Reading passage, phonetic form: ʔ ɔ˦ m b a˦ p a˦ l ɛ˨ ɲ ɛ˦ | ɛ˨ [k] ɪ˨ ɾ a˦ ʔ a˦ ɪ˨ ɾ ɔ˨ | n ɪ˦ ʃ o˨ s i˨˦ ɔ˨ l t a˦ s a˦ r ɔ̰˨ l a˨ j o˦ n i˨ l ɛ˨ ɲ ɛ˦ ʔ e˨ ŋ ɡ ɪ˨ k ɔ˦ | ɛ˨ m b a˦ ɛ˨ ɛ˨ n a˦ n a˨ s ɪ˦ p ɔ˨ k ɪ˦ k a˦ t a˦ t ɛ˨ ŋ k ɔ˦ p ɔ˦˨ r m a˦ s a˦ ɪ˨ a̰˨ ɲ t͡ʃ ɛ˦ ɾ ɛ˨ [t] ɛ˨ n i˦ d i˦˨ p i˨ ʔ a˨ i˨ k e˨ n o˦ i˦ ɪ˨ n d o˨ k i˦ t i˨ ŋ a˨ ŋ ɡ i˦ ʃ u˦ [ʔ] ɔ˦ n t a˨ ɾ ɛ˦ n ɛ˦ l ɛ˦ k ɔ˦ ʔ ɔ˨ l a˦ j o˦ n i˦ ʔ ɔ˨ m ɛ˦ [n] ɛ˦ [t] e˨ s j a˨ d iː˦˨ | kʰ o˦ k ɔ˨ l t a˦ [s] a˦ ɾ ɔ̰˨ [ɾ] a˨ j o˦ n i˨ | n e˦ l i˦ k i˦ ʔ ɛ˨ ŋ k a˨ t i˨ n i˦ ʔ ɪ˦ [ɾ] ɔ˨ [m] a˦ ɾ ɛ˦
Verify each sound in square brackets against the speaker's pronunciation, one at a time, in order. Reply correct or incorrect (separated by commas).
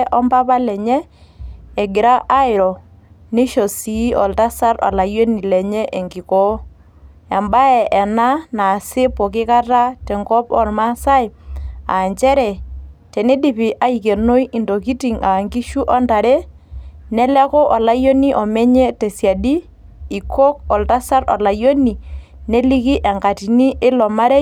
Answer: incorrect, correct, correct, incorrect, correct, correct, incorrect, incorrect, correct